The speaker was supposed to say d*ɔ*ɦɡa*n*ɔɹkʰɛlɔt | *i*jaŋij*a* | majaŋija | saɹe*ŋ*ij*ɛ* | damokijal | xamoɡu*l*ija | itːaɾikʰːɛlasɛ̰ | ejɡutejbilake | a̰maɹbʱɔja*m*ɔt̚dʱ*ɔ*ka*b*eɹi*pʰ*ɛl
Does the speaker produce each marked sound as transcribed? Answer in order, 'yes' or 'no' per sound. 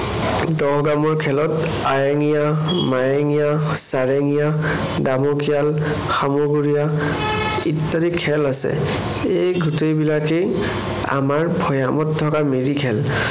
yes, no, no, yes, yes, no, no, yes, yes, no, no

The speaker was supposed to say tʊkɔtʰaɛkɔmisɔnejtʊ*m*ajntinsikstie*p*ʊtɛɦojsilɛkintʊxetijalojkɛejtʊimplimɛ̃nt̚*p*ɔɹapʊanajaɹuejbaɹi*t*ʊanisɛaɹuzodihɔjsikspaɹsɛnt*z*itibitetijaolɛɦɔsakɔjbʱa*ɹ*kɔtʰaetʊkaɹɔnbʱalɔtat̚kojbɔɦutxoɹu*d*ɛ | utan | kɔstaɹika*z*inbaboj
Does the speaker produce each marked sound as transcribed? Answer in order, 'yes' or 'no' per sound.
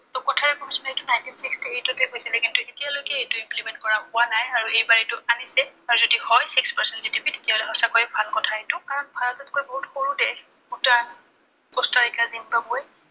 no, no, no, yes, yes, no, yes, yes

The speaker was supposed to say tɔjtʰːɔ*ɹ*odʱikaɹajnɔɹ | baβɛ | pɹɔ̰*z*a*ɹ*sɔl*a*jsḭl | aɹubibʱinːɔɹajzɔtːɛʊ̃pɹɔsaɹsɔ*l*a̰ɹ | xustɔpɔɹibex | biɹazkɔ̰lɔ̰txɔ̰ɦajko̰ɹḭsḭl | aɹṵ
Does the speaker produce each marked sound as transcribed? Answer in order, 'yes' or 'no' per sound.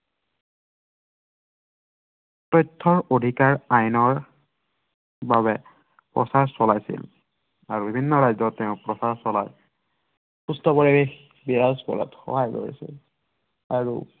yes, no, yes, yes, yes

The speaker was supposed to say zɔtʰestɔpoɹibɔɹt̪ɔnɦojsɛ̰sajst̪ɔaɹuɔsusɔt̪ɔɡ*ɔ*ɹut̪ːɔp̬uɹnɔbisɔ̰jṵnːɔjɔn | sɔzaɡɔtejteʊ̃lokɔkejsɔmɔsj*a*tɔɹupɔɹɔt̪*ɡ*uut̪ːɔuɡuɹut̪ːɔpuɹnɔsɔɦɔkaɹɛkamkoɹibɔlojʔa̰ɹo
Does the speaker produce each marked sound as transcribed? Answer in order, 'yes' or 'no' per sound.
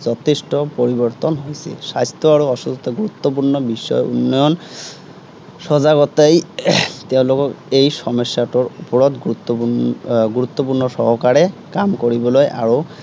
no, yes, yes

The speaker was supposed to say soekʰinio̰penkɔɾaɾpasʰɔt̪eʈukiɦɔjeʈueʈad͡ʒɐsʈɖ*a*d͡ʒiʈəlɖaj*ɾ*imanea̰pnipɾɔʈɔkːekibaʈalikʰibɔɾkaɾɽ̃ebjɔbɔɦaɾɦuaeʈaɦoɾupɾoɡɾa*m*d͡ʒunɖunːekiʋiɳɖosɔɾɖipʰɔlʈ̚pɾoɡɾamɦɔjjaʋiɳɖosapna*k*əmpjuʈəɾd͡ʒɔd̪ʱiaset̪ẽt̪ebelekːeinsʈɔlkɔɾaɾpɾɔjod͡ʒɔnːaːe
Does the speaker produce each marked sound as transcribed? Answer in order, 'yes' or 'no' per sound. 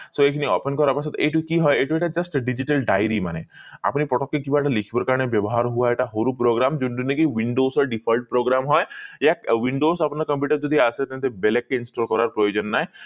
no, yes, yes, yes

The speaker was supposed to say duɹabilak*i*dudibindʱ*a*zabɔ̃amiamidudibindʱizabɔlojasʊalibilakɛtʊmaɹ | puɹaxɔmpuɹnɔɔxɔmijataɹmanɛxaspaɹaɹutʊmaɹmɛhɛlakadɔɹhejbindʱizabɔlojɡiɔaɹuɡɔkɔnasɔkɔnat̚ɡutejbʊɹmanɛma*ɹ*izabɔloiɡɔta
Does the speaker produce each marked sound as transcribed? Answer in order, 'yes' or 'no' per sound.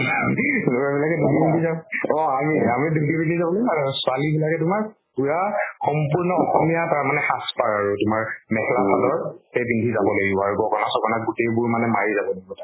no, no, yes

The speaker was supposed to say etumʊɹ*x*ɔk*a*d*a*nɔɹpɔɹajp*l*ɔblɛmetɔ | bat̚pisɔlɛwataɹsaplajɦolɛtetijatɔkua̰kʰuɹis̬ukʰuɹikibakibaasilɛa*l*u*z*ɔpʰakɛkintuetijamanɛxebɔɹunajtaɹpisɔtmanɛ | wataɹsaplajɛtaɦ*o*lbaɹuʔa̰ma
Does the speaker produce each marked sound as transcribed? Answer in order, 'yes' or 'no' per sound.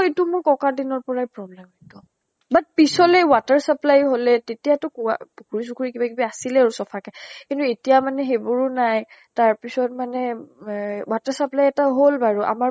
no, yes, no, no, no, no, yes

